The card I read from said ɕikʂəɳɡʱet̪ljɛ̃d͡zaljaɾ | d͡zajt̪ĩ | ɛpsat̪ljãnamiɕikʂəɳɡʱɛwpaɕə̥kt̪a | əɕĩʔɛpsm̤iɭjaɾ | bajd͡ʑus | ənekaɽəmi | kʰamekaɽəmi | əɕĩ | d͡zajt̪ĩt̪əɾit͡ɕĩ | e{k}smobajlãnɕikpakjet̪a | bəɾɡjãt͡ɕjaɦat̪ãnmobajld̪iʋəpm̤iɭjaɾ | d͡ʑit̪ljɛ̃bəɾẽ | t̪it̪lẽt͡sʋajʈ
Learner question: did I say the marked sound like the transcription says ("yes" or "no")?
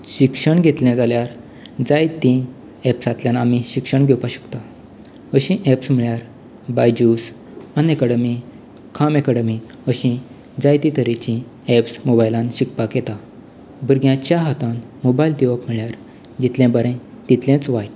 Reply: no